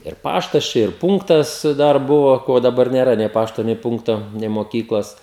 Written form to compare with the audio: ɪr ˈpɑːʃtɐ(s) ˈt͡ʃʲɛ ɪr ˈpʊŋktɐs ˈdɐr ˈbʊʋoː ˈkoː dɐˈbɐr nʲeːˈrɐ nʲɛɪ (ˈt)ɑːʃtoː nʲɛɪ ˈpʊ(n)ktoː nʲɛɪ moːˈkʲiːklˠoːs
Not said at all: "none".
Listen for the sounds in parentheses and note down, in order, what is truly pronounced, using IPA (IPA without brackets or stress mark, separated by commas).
s, p, ŋ